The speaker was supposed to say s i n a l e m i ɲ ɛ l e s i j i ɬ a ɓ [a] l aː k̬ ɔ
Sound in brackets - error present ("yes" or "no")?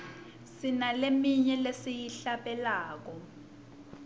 yes